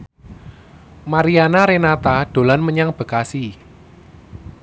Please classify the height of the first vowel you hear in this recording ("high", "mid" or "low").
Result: low